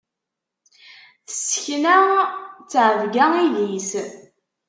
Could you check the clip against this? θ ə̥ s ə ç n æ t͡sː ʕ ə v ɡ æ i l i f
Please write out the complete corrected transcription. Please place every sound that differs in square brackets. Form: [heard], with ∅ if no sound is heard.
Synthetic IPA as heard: θ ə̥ s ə ç n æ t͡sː ʕ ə v ɡ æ i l i [s]